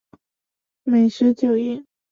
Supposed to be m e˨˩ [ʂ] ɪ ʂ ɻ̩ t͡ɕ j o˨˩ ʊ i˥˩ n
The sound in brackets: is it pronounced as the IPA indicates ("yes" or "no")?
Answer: no